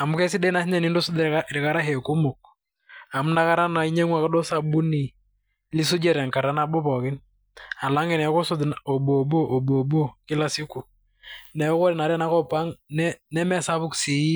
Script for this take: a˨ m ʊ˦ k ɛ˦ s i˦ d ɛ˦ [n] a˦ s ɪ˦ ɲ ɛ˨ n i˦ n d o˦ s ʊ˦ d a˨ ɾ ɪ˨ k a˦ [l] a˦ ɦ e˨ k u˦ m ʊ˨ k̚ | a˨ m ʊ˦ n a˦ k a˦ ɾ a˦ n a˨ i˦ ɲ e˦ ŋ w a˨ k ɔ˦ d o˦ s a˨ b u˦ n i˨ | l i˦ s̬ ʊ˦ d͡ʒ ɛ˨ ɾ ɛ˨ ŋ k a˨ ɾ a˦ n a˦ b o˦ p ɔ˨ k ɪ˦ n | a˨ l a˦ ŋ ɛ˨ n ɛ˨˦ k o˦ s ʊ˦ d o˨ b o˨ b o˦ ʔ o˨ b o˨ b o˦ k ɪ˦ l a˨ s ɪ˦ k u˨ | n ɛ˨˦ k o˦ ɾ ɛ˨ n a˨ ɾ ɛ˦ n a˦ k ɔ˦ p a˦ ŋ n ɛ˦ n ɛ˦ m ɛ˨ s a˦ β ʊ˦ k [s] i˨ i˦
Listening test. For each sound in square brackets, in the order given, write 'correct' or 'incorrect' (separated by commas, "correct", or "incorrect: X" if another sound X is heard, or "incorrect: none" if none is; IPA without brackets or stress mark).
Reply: correct, incorrect: ɾ, correct